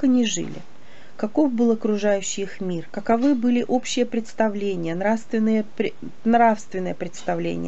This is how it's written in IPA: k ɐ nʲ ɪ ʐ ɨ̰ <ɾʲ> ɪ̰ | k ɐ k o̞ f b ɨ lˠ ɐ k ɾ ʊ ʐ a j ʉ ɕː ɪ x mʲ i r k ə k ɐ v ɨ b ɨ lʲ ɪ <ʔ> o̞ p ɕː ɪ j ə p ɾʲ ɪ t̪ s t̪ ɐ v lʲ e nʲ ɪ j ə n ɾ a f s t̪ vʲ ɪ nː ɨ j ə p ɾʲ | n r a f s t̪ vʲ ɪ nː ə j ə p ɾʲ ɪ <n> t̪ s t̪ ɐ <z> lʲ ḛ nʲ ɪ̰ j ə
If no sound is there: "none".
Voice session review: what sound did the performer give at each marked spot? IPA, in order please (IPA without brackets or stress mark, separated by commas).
lʲ, ʔ, none, v